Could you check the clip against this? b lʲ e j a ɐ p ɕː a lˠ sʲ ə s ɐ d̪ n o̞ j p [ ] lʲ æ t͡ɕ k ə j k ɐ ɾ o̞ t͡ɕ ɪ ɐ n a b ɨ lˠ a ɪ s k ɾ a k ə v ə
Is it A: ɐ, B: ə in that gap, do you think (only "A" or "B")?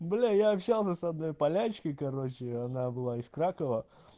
A